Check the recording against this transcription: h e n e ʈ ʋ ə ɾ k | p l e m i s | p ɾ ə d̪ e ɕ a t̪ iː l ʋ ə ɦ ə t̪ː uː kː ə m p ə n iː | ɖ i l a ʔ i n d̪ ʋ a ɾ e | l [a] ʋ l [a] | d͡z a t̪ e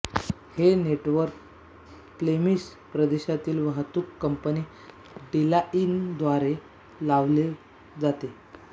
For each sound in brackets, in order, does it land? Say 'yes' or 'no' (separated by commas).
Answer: yes, no